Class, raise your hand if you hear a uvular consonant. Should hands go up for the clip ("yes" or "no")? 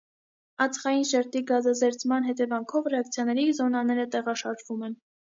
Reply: yes